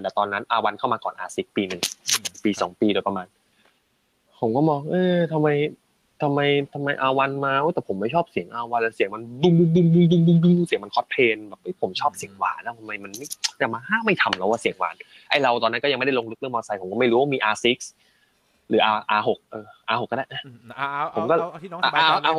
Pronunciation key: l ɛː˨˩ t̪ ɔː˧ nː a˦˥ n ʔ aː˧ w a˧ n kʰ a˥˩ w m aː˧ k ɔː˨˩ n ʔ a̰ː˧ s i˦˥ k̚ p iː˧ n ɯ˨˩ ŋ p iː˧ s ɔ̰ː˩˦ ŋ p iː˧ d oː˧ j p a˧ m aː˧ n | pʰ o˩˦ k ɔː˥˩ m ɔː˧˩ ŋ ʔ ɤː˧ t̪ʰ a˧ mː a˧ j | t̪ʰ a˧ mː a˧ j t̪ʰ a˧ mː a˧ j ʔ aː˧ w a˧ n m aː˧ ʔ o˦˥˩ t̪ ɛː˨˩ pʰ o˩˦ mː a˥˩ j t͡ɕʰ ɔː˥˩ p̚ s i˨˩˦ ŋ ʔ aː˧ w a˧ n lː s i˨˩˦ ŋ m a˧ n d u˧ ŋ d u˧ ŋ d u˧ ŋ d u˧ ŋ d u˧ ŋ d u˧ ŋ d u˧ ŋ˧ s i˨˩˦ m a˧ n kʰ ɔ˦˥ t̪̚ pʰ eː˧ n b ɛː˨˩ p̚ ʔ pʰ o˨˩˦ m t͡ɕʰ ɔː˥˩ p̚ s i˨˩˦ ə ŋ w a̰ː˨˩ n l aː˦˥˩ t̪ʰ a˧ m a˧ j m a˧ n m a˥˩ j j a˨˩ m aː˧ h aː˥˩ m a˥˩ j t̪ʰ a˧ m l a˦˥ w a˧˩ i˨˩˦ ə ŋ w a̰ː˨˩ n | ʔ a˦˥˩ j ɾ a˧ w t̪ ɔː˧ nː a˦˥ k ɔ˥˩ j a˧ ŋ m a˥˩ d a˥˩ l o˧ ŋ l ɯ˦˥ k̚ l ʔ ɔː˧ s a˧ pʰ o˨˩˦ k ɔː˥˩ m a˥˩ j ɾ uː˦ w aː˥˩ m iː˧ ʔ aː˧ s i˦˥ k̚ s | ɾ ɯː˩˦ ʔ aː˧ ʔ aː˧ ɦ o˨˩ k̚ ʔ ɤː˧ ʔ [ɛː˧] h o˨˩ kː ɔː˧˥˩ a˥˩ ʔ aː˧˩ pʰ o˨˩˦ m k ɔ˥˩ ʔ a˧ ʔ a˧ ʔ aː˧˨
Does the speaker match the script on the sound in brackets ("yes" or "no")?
no